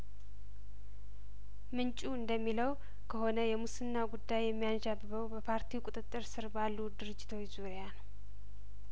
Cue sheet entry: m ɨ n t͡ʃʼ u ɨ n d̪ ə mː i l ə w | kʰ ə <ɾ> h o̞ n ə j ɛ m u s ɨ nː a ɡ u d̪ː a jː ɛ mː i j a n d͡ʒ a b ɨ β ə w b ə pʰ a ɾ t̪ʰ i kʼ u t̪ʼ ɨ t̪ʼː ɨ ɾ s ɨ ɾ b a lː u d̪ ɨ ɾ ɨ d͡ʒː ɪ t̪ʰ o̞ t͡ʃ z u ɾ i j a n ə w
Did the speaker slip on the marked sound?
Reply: yes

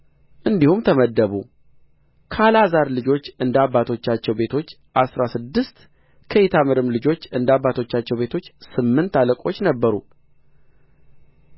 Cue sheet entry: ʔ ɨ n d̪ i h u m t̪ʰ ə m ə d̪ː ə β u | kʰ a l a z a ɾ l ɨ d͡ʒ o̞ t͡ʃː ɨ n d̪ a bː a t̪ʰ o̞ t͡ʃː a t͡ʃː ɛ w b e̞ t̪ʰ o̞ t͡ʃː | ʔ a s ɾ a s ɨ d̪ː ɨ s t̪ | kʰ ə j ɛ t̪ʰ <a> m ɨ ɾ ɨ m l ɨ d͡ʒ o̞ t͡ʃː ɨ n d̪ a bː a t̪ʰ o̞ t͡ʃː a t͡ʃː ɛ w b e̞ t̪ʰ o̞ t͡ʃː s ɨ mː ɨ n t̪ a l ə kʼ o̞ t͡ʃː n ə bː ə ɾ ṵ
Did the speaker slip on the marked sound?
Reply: no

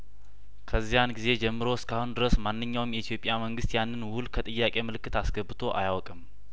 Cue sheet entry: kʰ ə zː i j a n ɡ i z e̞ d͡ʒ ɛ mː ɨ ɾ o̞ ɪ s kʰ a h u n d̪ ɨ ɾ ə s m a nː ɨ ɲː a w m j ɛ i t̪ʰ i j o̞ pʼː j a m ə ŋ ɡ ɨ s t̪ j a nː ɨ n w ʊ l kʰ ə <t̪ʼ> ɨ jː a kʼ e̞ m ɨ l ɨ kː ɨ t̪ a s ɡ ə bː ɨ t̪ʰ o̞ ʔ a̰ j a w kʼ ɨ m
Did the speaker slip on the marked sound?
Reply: no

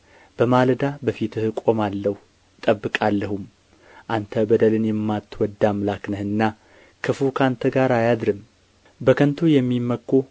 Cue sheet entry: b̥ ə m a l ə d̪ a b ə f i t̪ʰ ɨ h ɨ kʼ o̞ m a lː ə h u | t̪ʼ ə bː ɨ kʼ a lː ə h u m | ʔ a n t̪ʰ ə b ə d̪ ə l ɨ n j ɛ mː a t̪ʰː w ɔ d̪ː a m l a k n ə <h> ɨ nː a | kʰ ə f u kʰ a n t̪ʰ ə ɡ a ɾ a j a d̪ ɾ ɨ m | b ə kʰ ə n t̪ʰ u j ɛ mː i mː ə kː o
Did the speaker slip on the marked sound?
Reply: no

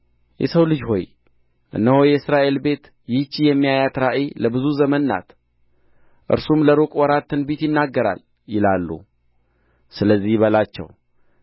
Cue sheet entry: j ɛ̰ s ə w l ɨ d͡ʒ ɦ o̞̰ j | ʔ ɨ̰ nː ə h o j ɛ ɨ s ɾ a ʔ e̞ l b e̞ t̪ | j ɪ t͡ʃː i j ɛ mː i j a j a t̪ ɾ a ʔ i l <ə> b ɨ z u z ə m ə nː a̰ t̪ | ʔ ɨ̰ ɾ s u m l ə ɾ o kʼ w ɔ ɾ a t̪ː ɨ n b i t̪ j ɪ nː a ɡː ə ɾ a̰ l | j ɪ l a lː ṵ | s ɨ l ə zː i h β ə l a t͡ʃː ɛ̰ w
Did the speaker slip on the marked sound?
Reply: no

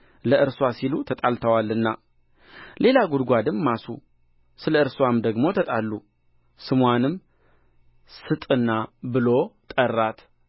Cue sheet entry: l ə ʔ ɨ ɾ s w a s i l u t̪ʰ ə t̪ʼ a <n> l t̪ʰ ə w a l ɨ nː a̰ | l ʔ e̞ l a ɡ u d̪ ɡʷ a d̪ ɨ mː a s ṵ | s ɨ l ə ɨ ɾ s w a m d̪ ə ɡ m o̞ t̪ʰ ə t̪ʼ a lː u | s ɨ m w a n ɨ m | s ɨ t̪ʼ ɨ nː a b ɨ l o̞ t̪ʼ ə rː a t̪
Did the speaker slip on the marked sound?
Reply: yes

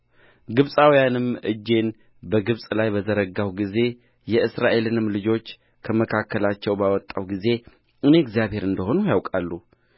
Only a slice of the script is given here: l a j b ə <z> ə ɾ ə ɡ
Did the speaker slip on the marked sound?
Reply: no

